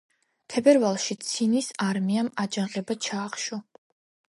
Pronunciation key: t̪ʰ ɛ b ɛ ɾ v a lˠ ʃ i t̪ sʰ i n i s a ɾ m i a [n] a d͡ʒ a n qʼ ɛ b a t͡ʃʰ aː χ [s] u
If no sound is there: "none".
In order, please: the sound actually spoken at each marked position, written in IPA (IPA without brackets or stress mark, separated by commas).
m, ʃ